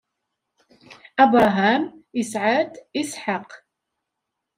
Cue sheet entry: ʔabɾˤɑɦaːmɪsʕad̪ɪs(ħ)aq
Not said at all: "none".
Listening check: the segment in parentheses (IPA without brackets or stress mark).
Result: ħ